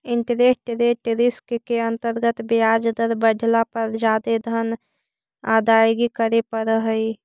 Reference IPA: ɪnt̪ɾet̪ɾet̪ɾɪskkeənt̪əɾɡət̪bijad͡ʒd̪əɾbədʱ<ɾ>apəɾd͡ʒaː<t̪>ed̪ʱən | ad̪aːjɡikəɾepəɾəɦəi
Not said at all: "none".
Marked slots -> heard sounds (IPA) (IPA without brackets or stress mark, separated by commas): l, d̪